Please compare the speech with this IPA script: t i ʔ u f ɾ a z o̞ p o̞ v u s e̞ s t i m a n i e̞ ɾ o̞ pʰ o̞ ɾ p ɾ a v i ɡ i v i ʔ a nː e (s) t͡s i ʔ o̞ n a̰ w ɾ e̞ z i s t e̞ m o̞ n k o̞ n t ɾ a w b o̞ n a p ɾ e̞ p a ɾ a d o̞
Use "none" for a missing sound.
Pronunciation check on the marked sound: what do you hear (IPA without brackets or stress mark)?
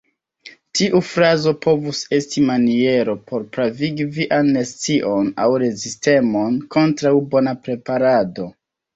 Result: s